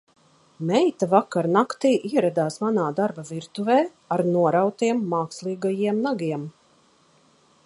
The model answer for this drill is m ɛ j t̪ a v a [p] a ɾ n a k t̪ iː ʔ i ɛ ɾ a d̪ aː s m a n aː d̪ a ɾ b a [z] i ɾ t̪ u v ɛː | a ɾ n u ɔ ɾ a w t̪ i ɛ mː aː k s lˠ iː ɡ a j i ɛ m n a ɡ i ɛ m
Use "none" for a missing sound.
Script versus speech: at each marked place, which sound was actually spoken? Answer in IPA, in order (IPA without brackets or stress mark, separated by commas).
k, v